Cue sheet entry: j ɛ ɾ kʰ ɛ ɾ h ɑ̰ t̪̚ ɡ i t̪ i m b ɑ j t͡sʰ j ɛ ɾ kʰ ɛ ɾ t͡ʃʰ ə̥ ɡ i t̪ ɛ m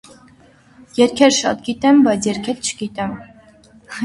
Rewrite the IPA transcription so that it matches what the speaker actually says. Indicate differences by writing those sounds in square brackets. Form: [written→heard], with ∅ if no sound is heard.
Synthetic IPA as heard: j ɛ ɾ kʰ ɛ ɾ [h→ʃ] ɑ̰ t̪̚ ɡ i t̪ [i→ɛ] m b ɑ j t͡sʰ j ɛ ɾ kʰ ɛ ɾ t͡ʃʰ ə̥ ɡ i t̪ ɛ m